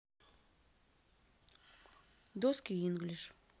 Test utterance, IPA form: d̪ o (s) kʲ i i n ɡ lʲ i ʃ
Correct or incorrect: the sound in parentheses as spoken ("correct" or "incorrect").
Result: correct